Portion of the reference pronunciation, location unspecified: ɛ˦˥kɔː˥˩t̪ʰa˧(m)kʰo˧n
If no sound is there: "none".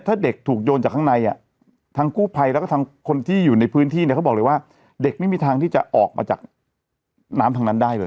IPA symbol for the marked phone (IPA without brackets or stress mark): ŋ